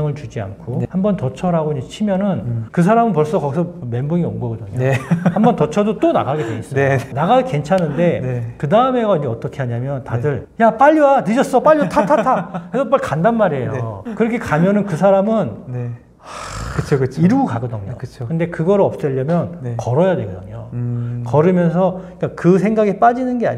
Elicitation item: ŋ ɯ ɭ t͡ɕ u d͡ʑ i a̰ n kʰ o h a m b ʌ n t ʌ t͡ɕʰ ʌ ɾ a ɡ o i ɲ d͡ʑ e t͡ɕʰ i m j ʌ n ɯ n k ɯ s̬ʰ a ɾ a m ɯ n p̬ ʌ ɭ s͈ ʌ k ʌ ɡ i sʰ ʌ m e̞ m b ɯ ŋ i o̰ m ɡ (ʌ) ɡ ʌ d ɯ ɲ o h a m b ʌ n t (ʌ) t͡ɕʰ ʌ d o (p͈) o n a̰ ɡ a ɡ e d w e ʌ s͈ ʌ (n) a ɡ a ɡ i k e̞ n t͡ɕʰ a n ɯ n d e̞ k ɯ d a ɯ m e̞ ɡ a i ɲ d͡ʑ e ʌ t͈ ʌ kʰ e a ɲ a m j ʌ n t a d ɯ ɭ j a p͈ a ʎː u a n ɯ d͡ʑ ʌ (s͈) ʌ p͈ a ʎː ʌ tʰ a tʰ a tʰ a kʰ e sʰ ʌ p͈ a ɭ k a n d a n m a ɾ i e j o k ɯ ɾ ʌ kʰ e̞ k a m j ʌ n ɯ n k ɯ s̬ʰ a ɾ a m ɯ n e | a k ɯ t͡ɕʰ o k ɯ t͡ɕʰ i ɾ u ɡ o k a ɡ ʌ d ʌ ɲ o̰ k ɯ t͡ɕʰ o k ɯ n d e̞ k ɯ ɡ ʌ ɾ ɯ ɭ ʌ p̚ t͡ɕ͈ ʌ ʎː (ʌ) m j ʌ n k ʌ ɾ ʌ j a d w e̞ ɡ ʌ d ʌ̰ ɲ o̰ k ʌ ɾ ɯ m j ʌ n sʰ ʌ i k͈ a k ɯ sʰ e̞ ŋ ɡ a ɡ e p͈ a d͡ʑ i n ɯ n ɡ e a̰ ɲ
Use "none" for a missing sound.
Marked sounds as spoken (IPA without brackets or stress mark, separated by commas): ʌ, ʌ, t͈, n, s͈, ʌ